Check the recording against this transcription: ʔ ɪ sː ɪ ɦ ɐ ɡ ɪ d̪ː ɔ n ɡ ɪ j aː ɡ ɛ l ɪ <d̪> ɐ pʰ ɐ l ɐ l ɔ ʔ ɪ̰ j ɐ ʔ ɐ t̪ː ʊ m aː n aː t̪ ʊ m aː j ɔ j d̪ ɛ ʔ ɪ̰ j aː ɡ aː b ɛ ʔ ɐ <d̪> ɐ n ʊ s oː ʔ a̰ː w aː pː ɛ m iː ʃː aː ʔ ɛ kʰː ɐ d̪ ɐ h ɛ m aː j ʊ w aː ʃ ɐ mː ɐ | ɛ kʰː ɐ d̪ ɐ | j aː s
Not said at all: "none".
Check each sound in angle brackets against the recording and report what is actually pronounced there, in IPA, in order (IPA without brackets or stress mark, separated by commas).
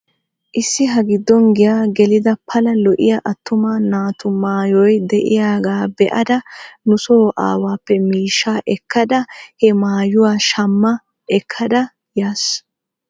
d̪, d̪